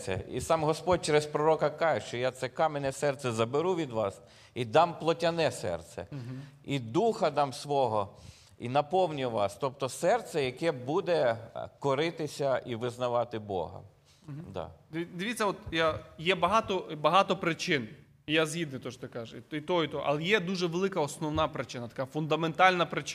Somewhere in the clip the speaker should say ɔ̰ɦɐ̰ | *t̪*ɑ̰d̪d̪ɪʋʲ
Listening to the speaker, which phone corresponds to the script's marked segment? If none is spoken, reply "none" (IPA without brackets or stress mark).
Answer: d̪